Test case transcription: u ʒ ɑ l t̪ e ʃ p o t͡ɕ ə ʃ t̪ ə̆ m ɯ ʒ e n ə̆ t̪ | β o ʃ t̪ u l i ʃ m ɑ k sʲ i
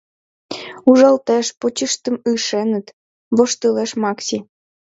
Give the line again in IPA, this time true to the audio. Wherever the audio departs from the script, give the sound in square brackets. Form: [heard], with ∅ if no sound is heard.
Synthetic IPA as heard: u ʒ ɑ l t̪ e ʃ p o t͡ɕ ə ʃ t̪ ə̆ m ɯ [ʃ] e n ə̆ t̪ | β o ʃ t̪ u l [e] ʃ m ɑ k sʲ i